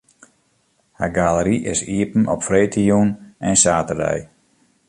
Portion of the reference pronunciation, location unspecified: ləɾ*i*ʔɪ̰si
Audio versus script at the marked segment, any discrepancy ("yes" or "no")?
no